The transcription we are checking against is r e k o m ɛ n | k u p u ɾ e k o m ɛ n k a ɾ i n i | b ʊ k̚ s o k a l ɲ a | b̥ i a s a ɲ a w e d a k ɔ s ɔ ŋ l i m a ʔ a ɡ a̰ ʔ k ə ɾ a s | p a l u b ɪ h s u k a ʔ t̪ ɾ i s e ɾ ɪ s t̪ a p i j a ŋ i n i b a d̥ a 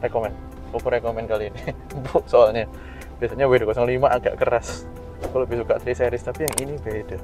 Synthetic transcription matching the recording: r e k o m ɛ n | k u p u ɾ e k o m ɛ n k a l i n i | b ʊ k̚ s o a l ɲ a | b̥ i a s a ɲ a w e d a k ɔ s ɔ ŋ l i m a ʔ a ɡ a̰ ʔ k ə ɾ a s | k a l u b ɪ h s u k a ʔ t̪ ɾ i s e ɾ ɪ s t̪ a p i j a ŋ i n i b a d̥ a